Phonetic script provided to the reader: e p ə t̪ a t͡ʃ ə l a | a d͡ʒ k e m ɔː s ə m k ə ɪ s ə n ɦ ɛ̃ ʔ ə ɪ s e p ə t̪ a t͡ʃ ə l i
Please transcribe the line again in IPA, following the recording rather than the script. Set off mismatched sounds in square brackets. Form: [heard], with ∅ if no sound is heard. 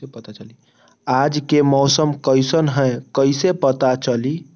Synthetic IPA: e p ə t̪ a t͡ʃ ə l [i] | a d͡ʒ k e m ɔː s ə m k ə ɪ s ə n ɦ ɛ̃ [k] ə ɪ s e p ə t̪ a t͡ʃ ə l i